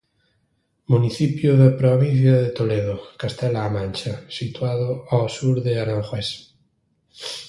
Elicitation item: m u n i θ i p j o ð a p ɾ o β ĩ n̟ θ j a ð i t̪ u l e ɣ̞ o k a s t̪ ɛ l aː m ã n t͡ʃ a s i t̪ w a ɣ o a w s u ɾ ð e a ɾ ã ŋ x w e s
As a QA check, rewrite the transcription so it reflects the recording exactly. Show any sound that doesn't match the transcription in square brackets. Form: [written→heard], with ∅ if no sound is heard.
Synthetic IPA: m u n i θ i p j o ð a p ɾ o β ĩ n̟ θ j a ð [i→e] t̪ [u→o] l e [ɣ̞→ð̞] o k a s t̪ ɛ l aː m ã n t͡ʃ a s i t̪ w a [ɣ→ð] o a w s u ɾ ð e a ɾ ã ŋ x w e s